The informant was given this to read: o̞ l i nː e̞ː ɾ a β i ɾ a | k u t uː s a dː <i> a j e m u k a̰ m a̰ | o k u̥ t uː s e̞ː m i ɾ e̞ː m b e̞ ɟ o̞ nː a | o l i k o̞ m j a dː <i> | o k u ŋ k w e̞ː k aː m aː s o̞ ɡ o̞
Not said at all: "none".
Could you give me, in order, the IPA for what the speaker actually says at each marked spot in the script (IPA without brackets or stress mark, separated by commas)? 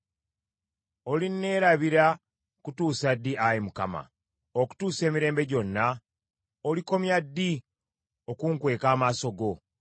i, i